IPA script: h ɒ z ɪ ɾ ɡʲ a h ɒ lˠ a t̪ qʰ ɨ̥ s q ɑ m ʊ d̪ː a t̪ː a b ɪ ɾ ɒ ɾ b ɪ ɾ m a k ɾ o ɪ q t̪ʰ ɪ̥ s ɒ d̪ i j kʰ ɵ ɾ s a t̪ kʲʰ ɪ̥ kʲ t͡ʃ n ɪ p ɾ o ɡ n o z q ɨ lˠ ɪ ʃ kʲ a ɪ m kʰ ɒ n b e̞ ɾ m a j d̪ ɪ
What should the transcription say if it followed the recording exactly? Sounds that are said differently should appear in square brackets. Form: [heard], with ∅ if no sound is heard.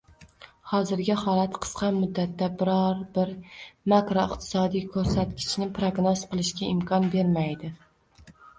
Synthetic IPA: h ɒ z ɪ ɾ ɡʲ a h ɒ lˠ a t̪ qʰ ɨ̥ s q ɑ m ʊ d̪ː a t̪ː a b ɪ ɾ ɒ ɾ b ɪ ɾ m a k ɾ o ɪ q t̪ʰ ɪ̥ s ɒ d̪ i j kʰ ɵ ɾ s a t̪ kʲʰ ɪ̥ [∅] t͡ʃ n ɪ p ɾ o ɡ n o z q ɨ lˠ ɪ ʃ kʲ a ɪ m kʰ ɒ n b e̞ ɾ m a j d̪ ɪ